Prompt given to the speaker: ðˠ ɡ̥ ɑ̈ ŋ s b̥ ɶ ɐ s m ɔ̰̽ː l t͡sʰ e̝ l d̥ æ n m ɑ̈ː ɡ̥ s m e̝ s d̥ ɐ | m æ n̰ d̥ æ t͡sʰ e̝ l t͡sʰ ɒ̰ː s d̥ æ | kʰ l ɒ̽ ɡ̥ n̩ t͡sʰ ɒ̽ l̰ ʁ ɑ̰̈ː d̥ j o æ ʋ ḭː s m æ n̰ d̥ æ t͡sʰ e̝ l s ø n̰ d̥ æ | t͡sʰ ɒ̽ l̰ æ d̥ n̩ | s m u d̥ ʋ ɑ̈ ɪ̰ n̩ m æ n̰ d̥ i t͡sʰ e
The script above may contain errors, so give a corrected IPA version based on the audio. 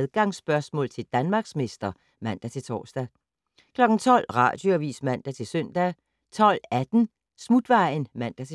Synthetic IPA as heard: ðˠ ɡ̥ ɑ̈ ŋ s b̥ ɶ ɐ s m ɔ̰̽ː l t͡sʰ e̝ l d̥ æ n m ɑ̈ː ɡ̥ s m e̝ s d̥ ɐ | m æ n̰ d̥ æ t͡sʰ e̝ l t͡sʰ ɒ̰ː s d̥ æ | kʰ l ɒ̽ ɡ̥ n̩ t͡sʰ ɒ̽ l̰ ʁ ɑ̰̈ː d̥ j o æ ʋ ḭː s m æ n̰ d̥ æ t͡sʰ e̝ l s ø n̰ d̥ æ | t͡sʰ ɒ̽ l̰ æ d̥ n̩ | s m u d̥ ʋ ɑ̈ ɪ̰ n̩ m æ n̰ d̥ æ t͡sʰ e